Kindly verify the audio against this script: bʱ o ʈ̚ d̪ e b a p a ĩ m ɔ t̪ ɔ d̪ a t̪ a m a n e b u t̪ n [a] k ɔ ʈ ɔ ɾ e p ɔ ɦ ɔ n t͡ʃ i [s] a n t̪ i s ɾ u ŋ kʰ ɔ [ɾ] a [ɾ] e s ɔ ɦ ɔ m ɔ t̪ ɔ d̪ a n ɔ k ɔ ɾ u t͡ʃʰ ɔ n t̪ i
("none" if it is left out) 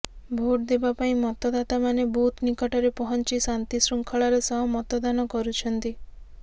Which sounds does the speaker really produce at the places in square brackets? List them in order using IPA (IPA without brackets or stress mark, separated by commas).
i, s, ɭ, ɾ